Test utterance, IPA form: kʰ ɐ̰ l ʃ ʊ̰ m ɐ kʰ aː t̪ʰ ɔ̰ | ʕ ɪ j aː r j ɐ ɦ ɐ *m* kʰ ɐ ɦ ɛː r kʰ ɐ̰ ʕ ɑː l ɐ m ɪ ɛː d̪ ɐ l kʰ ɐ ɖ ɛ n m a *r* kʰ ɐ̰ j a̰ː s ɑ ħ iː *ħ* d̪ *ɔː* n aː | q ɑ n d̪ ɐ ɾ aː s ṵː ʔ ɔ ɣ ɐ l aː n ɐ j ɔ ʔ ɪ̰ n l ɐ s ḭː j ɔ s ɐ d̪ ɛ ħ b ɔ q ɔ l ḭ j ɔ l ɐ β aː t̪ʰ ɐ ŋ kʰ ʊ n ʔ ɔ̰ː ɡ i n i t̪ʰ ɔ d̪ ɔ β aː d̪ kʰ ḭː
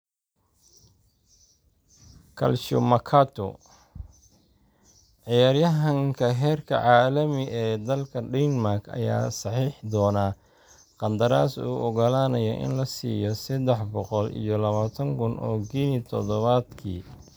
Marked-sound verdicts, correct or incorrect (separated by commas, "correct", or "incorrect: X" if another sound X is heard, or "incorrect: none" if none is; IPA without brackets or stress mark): incorrect: ŋ, correct, correct, correct